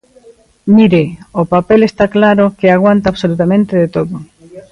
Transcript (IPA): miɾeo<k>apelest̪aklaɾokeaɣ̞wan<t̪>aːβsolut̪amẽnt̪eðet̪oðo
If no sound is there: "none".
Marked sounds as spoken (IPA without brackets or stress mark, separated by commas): p, t̪